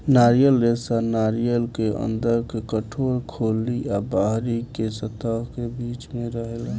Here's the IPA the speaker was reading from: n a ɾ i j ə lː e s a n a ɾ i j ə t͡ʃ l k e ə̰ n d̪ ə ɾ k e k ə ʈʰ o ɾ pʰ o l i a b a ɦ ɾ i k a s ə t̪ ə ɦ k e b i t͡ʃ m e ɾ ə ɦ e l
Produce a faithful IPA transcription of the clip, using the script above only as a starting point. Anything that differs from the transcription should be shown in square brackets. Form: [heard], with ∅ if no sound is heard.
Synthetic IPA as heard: n a ɾ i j ə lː e s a n a ɾ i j ə [∅] l k e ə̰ n d̪ ə ɾ k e k ə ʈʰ o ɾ [kʰ] o l i a b a ɦ ɾ i k [e] s ə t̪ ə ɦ k e b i t͡ʃ m e ɾ ə ɦ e l